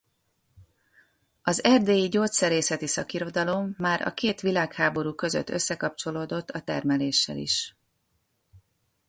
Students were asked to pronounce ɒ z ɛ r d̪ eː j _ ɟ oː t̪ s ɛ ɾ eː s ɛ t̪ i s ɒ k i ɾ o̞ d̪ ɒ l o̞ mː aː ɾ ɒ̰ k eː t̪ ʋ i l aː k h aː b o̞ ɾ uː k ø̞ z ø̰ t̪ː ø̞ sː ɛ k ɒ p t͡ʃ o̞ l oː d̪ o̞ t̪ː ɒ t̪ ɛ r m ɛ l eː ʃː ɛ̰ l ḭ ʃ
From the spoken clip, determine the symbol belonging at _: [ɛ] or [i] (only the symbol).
i